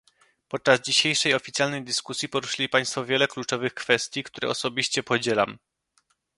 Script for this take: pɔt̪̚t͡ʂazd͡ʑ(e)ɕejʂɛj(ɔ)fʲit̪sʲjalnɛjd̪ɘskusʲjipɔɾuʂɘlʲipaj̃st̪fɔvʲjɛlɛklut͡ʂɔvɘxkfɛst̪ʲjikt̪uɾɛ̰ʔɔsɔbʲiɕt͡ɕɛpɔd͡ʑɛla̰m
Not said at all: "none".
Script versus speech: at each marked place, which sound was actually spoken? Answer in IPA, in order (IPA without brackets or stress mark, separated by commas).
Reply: i, ɔ